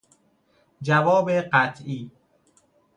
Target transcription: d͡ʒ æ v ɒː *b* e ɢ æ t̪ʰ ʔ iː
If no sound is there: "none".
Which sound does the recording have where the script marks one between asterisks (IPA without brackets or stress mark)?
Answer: b